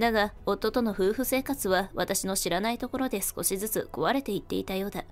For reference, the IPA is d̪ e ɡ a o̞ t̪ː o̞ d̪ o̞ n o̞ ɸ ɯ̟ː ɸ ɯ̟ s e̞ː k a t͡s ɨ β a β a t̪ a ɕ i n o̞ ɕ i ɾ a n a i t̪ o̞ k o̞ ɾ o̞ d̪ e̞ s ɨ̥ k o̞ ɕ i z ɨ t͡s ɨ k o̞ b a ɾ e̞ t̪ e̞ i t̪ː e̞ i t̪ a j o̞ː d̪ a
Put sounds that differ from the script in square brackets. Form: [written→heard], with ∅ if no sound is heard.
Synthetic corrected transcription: d̪ [e→a] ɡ a o̞ t̪ː o̞ [d̪→t̪] o̞ n o̞ ɸ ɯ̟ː ɸ ɯ̟ s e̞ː k a t͡s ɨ β a β a t̪ a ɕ i n o̞ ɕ i ɾ a n a i t̪ o̞ k o̞ ɾ o̞ d̪ e̞ s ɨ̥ k o̞ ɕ i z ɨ t͡s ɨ k o̞ [b→β] a ɾ e̞ t̪ e̞ i t̪ː e̞ i t̪ a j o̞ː d̪ a